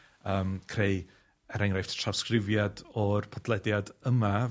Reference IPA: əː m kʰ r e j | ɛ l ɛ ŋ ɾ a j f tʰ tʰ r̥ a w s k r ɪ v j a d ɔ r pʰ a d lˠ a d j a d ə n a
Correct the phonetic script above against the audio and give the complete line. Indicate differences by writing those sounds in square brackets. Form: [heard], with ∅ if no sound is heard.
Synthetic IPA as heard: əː m kʰ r e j | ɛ [ɾ] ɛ ŋ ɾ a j f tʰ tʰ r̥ a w s k r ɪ v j a d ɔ r pʰ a d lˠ [ɛ] d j a d ə [m] a